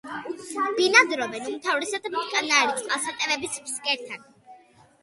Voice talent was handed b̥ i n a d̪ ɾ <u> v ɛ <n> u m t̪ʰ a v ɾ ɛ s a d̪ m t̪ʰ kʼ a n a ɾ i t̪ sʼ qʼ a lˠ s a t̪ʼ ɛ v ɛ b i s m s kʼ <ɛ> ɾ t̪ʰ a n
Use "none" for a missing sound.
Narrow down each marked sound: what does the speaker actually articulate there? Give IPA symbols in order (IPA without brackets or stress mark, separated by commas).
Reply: ɔ, n, ɛ